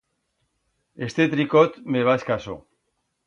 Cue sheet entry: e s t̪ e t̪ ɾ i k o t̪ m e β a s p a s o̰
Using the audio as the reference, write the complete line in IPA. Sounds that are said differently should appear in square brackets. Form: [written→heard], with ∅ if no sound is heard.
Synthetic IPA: e s t̪ e t̪ ɾ i k o t̪ m e β a s [p→k] a s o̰